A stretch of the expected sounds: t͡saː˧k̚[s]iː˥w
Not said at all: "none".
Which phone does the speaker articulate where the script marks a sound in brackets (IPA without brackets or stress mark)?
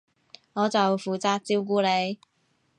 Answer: t͡s